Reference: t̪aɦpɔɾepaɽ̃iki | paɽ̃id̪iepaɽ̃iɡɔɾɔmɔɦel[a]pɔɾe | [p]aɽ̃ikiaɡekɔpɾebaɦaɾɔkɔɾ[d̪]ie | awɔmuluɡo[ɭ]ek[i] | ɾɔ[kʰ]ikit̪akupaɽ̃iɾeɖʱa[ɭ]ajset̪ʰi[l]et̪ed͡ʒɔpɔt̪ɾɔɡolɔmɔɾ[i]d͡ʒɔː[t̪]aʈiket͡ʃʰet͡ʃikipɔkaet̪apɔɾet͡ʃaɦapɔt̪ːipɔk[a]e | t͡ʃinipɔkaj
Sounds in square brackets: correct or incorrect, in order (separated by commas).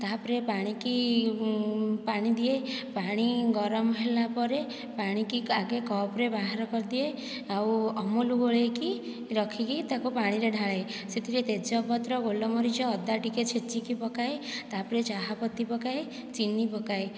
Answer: correct, correct, correct, correct, correct, correct, correct, incorrect, correct, incorrect, correct